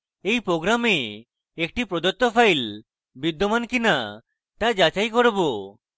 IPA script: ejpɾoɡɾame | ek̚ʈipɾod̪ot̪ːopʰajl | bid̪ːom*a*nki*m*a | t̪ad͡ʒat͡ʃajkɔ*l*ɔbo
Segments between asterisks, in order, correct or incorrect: correct, incorrect: n, incorrect: ɾ

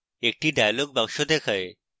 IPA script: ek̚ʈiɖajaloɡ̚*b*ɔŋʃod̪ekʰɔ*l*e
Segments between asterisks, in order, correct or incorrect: correct, incorrect: none

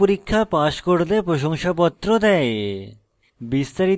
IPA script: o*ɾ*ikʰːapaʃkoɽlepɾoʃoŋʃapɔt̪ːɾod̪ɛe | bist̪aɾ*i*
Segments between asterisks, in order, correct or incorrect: correct, correct

